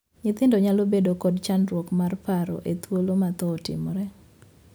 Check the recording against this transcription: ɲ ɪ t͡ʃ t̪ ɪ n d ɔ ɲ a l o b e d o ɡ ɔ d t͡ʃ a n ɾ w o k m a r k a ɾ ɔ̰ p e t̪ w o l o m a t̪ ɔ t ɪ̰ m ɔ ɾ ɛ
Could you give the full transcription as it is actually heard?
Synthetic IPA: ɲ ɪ t̪ ɪ n d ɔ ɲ a l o b e d o k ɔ d t͡ʃ a n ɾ w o k m a r p a ɾ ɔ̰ ʔ e t̪ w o l o m a t̪ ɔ t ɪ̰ m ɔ ɾ ɛ